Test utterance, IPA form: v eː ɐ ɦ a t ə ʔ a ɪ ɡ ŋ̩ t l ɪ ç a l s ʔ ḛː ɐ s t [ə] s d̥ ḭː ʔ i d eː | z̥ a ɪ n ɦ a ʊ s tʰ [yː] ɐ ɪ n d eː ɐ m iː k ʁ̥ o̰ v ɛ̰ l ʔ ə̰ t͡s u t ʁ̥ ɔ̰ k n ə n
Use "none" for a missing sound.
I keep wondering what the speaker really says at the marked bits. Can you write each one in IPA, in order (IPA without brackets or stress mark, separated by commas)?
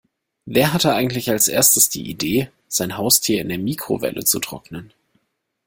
ə, iː